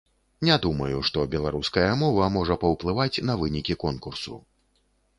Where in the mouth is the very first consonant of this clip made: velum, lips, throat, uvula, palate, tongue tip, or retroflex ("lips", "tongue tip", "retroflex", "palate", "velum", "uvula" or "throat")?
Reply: tongue tip